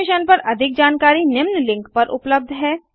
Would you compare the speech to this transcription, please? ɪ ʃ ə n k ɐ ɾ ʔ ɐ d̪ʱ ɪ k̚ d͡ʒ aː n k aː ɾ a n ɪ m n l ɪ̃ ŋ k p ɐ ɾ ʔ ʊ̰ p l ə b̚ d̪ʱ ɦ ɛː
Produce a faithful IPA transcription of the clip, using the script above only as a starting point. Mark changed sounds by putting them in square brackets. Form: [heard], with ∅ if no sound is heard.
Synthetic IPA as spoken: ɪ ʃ ə n [p] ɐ ɾ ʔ ɐ d̪ʱ ɪ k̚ d͡ʒ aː n k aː ɾ [i] n ɪ m n l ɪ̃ ŋ k p ɐ ɾ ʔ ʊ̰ p l ə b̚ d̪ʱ ɦ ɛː